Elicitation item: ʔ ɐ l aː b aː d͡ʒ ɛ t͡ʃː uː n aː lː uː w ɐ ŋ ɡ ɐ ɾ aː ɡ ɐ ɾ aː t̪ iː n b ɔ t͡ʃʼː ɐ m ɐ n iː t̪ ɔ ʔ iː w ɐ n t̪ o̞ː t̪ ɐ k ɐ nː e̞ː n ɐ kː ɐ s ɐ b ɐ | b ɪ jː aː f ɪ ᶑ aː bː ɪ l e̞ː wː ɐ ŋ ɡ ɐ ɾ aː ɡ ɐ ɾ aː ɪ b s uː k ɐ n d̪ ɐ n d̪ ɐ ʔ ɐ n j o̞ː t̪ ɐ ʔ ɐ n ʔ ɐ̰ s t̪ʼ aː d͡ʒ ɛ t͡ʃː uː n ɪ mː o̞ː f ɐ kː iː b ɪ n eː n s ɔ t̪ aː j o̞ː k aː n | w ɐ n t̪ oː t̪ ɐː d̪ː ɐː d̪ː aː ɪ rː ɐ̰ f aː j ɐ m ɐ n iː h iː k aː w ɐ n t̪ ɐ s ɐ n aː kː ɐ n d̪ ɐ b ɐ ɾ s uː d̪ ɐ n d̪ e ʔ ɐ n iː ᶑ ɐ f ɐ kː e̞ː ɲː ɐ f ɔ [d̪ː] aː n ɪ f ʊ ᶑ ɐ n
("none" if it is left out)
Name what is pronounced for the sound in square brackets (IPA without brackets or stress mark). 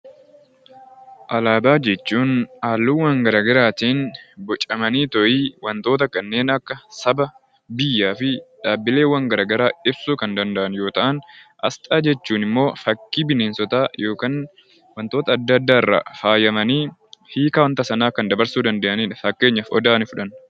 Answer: d̪